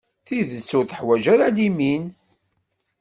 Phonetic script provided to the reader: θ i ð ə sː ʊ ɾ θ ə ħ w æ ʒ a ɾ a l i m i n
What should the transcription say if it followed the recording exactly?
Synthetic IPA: θ i ð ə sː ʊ ɾ θ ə ħ w æ ʒ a ɾ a l i m i n